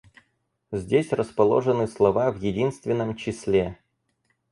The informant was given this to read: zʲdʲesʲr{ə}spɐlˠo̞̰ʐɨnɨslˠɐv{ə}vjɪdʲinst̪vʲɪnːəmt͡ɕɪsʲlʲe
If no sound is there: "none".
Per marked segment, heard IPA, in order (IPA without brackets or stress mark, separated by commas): ə, a